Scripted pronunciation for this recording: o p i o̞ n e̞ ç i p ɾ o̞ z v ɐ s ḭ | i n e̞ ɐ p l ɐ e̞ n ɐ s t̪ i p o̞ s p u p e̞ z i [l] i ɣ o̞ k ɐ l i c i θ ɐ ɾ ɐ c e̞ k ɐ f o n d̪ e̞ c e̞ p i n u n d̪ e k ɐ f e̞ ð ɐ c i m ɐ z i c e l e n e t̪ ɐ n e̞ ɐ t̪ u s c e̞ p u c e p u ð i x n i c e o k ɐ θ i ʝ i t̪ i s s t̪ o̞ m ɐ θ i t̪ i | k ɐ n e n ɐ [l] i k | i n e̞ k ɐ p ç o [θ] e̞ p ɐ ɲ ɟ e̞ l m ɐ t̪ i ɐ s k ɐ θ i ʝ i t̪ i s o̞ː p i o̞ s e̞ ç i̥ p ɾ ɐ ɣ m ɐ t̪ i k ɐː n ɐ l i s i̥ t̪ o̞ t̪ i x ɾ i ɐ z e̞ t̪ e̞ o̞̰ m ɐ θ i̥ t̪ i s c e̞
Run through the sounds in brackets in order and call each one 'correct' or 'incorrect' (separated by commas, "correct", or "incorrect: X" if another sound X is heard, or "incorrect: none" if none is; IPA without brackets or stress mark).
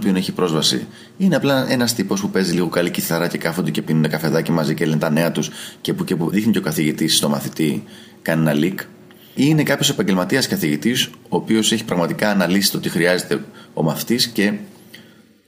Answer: correct, correct, incorrect: s